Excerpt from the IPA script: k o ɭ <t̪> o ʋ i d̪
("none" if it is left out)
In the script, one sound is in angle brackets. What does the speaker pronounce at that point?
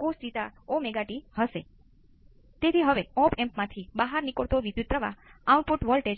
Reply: t̪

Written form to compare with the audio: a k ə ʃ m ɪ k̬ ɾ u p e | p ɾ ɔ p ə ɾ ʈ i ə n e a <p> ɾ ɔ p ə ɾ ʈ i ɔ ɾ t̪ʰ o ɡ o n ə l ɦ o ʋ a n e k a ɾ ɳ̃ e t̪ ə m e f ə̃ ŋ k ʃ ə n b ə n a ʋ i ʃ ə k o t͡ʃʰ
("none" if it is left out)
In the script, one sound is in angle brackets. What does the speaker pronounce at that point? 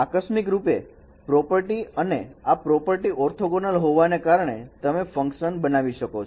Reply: p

